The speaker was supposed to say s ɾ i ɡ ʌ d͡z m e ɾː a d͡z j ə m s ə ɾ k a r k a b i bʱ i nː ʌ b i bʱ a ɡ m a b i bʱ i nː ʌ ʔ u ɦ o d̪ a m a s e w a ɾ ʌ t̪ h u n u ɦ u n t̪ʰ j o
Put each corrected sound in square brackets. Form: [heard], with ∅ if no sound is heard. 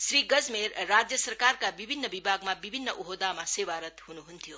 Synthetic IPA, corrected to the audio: s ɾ i ɡ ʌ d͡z m e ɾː a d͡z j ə [∅] s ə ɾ k a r k a b i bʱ i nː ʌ b i bʱ a ɡ m a b i bʱ i nː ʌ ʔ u ɦ o d̪ a m a s e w a ɾ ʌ t̪ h u n u ɦ u n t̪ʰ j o